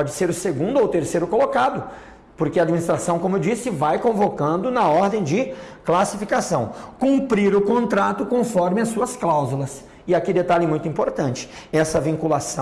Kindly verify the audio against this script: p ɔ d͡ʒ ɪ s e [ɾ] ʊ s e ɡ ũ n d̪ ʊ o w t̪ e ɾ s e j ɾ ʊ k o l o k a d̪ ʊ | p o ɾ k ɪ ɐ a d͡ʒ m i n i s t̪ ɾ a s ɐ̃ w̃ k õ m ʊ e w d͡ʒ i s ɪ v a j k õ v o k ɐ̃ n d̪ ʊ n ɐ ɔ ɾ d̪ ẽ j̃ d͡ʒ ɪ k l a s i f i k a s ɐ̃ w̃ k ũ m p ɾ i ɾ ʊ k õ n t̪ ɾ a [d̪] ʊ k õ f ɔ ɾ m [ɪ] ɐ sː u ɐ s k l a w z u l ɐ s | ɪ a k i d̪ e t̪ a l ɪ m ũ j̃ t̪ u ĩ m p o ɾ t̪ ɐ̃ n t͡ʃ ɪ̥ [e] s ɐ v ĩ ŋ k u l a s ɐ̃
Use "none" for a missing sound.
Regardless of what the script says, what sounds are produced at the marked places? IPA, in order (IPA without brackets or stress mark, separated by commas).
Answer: ɾ, t̪, ɪ, ɛ